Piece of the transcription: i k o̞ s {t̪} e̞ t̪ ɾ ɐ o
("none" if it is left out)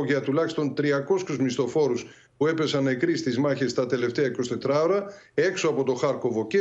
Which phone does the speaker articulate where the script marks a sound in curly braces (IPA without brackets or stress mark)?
t̪